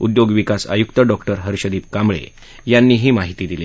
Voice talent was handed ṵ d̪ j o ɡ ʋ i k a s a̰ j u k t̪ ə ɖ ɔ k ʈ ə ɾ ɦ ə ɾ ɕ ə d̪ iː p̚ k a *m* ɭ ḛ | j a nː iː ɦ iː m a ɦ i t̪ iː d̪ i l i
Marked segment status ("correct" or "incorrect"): correct